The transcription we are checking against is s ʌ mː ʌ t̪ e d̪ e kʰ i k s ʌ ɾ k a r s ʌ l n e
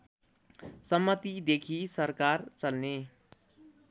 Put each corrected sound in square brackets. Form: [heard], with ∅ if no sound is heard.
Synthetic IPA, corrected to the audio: s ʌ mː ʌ t̪ [i] d̪ e kʰ i [∅] s ʌ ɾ k a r [t͡s] ʌ l n e